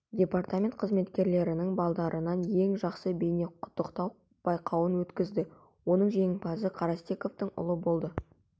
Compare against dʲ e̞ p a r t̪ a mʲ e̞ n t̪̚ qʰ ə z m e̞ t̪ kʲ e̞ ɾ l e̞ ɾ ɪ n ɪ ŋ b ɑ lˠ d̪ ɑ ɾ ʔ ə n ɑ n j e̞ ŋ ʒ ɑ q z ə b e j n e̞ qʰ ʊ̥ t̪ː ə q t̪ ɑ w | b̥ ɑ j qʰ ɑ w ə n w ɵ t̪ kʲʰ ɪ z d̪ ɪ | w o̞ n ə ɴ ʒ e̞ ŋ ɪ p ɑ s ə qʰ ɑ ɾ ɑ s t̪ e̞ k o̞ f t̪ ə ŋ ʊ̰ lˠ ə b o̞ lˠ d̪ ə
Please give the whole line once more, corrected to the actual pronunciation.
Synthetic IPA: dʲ e̞ p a r t̪ a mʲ e̞ n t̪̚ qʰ ə z m e̞ t̪ kʲ e̞ ɾ l e̞ ɾ ɪ n ɪ ŋ b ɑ lˠ d̪ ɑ ɾ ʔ ə n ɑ n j e̞ ŋ ʒ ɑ q s ə b e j n e̞ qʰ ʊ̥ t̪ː ə q t̪ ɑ w | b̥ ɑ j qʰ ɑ w ə n w ɵ t̪ kʲ ɪ z d̪ ɪ | w o̞ n ə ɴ ʒ e̞ ŋ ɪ p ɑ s ə qʰ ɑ ɾ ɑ s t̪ e̞ k o̞ f t̪ ə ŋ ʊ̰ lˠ ə b o̞ lˠ d̪ ə